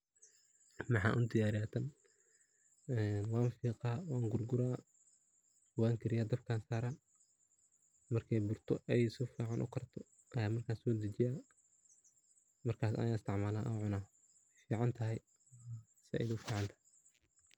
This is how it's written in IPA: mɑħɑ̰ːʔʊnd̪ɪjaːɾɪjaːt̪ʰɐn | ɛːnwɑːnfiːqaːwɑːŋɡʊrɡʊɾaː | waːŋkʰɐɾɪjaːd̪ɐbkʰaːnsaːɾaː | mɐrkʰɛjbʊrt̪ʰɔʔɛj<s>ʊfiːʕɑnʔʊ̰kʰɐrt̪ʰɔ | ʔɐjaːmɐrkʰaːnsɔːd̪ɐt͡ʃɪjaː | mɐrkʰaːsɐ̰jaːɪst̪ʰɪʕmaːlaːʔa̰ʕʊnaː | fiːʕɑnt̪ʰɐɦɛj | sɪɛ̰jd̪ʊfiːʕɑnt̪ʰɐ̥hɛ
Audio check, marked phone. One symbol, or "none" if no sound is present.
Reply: s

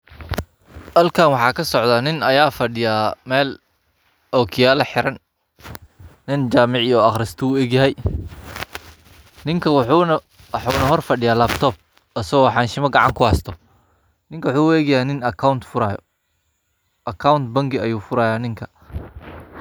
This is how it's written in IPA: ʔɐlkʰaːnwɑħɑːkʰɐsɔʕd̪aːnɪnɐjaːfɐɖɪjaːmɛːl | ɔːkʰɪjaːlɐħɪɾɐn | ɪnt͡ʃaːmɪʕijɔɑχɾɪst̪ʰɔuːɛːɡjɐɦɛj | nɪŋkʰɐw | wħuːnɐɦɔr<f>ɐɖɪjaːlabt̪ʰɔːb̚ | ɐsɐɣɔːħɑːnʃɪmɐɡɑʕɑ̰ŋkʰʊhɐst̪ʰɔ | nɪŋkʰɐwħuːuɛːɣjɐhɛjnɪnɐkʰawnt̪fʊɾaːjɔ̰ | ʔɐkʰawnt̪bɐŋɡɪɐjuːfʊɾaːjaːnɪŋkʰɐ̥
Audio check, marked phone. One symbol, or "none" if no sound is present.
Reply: f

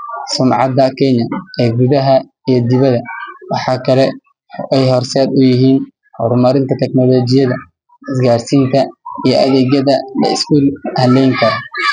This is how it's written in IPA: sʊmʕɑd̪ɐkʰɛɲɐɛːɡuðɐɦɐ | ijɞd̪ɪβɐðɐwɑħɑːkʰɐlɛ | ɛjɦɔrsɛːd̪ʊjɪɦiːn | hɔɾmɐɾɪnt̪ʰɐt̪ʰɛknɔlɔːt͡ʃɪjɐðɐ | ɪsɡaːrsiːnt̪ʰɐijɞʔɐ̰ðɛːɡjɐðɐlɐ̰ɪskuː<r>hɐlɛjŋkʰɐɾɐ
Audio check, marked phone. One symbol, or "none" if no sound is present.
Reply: l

